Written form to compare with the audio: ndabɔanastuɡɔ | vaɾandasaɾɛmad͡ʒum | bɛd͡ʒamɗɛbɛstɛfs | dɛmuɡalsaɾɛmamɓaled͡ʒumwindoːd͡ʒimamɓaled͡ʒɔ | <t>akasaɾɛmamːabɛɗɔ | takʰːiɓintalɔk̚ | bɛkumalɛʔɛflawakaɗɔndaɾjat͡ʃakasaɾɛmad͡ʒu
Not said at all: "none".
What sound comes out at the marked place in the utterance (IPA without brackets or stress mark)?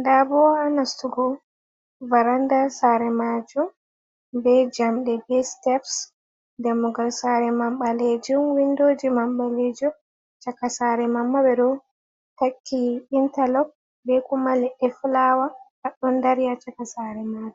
t͡ʃ